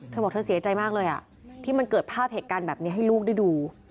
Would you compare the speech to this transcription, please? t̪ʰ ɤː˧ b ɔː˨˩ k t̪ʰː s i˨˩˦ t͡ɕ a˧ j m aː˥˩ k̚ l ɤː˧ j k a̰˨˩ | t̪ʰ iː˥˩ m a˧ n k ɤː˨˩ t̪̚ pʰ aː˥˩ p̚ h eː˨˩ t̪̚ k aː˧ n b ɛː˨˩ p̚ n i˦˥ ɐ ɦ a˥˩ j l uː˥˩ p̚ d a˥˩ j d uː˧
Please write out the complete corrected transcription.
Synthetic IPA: t̪ʰ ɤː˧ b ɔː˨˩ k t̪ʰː s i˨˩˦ t͡ɕ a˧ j m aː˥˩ k̚ l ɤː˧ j ʔ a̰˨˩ | t̪ʰ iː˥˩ m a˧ n k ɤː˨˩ t̪̚ pʰ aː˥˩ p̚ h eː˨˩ t̪̚ k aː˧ n b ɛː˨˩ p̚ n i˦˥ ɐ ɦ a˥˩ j l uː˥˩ k̚ d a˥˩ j d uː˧